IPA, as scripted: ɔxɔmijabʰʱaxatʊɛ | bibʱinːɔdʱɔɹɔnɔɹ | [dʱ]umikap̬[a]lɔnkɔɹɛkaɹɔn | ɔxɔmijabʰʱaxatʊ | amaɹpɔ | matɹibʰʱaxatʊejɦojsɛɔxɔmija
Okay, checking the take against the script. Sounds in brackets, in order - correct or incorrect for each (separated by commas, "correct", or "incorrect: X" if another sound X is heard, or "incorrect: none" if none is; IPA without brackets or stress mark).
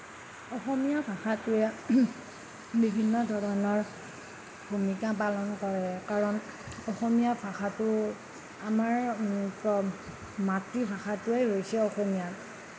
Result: incorrect: bʱ, correct